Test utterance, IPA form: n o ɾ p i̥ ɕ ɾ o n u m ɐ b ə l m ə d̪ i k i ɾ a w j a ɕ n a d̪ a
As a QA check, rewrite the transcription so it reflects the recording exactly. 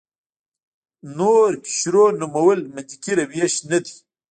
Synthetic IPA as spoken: n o ɾ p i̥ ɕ ɾ o n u m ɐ w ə l m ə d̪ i k i ɾ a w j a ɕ n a d̪ i